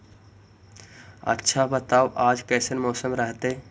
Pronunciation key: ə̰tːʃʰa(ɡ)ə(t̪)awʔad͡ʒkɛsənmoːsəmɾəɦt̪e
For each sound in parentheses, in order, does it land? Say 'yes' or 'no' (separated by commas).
no, yes